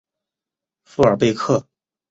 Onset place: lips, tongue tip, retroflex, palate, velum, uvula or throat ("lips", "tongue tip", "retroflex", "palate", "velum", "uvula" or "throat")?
lips